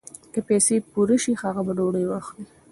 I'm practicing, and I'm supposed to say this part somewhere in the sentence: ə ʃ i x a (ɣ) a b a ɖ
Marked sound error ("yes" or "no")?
no